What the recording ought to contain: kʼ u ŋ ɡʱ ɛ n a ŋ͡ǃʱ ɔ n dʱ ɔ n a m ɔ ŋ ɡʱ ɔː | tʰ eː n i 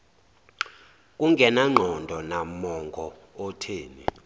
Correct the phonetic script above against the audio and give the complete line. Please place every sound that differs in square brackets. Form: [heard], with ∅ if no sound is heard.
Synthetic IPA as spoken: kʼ u ŋ ɡʱ ɛ n a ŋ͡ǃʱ ɔ n dʱ ɔ n a m ɔ ŋ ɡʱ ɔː | tʰ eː n i